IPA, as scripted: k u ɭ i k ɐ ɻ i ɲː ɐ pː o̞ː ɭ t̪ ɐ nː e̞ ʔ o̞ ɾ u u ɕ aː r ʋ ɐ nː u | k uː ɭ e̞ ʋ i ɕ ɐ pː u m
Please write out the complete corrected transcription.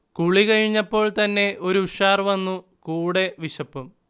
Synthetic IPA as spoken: k u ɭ i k ɐ ɻ i ɲː ɐ pː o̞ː ɭ t̪ ɐ nː e̞ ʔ o̞ ɾ u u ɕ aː r ʋ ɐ nː u | k uː ɽ e̞ ʋ i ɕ ɐ pː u m